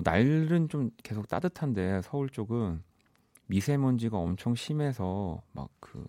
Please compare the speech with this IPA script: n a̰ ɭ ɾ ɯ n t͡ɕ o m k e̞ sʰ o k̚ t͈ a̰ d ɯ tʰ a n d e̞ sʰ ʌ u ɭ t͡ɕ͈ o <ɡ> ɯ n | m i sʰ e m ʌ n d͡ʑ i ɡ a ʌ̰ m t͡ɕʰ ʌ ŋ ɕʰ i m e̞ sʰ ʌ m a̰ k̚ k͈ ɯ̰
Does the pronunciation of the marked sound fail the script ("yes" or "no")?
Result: no